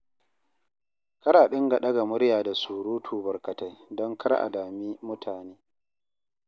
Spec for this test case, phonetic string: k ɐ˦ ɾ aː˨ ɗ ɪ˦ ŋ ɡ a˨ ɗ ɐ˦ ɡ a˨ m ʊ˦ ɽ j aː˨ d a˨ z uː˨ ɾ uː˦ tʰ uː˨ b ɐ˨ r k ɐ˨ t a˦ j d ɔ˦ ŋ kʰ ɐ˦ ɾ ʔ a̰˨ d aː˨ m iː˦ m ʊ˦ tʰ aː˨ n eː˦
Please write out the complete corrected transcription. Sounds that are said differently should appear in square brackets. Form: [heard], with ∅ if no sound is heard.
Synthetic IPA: k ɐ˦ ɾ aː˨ ɗ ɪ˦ ŋ ɡ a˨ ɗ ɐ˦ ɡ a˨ m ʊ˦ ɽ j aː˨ d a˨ [s] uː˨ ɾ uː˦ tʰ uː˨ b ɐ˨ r k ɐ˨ t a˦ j d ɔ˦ ŋ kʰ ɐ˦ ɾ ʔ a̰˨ d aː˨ m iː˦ m ʊ˦ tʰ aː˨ n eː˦